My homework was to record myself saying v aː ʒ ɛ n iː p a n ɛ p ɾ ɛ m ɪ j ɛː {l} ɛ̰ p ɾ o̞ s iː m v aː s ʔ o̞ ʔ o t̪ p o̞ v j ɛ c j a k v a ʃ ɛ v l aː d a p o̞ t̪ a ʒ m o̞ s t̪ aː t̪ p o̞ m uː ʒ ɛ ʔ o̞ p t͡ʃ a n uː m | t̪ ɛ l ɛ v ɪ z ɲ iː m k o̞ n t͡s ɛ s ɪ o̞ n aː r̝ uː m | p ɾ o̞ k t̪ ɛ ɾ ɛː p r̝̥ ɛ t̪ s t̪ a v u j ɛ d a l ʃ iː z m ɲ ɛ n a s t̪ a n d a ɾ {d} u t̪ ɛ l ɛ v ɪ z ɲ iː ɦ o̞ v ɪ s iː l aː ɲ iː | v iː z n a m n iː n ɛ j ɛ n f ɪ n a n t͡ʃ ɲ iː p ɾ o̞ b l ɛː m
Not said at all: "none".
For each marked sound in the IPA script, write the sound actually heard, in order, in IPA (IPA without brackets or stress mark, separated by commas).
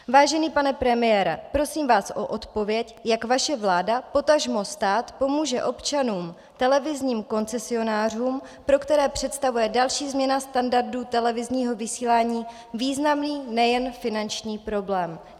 ɾ, d